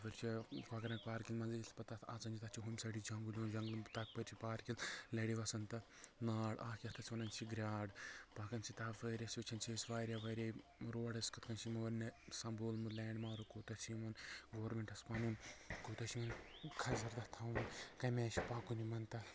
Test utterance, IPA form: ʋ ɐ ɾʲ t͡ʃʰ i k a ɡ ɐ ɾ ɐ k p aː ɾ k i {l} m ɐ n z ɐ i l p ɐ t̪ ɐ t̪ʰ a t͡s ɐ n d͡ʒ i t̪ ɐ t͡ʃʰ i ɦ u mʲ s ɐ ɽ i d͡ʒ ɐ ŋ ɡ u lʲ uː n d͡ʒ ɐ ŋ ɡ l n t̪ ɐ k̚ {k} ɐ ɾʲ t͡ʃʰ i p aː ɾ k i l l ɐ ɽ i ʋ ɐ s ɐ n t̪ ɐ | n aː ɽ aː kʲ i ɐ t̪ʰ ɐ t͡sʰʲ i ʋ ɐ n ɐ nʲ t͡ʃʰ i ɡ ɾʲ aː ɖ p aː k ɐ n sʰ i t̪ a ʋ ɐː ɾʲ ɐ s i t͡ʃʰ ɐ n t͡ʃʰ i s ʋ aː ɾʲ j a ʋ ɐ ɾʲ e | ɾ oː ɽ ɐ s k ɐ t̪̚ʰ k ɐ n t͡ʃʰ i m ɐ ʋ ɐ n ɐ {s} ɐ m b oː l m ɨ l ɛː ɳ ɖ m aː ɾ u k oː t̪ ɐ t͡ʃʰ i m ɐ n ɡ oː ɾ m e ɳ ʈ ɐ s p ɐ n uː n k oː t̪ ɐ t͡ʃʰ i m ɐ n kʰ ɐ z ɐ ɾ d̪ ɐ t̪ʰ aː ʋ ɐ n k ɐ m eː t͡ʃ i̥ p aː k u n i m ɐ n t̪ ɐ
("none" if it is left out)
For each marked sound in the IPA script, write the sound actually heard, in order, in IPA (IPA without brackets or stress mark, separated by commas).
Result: l, p, s